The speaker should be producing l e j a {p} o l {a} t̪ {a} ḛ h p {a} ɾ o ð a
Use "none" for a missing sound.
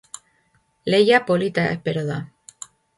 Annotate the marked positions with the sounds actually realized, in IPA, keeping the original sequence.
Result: p, i, a, e

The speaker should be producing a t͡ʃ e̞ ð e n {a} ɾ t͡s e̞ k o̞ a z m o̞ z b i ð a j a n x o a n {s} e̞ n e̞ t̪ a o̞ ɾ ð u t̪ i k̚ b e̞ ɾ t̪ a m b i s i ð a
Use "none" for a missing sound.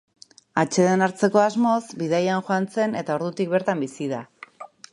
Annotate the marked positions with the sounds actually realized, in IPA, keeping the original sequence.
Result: a, t͡s

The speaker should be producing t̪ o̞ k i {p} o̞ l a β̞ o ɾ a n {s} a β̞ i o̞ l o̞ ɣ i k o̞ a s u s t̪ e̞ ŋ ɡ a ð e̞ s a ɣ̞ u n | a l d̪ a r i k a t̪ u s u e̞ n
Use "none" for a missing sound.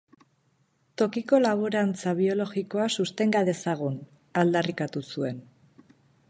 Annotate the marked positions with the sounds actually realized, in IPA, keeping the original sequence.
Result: k, t͡s

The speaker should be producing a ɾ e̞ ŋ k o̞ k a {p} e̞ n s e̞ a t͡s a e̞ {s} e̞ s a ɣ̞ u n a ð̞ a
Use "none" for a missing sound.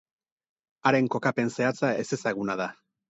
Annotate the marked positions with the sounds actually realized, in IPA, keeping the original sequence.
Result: p, s

